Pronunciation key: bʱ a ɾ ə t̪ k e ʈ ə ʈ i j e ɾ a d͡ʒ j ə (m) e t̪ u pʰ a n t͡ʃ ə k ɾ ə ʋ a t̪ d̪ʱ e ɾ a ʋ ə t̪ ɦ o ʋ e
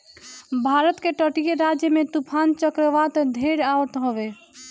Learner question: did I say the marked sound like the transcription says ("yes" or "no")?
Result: yes